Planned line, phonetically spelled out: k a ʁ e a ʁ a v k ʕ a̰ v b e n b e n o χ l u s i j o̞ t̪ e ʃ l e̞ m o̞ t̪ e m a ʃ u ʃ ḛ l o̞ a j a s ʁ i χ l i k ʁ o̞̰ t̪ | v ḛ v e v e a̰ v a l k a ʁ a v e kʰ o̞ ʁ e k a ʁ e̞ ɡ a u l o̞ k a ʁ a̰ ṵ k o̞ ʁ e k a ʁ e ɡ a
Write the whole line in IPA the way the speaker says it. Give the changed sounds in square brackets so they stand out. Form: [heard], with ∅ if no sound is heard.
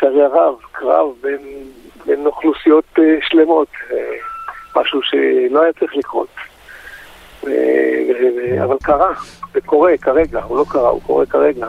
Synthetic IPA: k a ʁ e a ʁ a v k [ʁ] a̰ v b e n b e n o χ l u s i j o̞ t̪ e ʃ l e̞ m o̞ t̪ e m a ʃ u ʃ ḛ l o̞ a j a [t͡s] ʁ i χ l i k ʁ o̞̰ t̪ | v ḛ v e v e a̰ v a l k a ʁ a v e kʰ o̞ ʁ e k a ʁ e̞ ɡ a u l o̞ k a ʁ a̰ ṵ k o̞ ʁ e k a ʁ e ɡ a